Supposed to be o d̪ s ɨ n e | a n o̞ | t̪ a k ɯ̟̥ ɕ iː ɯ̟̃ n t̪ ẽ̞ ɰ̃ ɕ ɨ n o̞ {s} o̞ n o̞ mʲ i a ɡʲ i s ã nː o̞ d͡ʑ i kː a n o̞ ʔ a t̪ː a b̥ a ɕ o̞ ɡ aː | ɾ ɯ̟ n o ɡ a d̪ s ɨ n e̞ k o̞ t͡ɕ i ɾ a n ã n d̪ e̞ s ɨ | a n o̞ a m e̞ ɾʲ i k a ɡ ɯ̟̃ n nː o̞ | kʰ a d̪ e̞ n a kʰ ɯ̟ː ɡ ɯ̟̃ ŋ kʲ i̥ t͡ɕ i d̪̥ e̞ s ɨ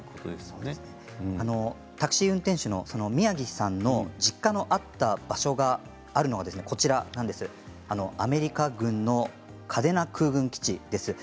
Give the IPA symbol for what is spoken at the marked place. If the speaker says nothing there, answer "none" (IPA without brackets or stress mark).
s